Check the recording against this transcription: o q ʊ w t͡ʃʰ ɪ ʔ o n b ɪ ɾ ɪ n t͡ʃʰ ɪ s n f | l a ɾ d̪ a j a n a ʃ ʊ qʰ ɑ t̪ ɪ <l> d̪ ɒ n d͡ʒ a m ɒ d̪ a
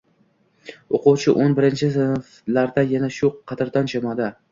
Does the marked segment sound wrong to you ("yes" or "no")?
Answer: yes